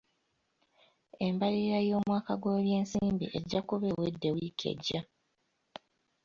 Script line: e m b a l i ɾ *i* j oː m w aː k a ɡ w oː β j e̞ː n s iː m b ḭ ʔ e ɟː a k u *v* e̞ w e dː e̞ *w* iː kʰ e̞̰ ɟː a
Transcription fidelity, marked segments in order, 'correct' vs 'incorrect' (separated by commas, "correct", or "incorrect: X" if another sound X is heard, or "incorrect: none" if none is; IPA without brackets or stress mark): incorrect: a, incorrect: β, correct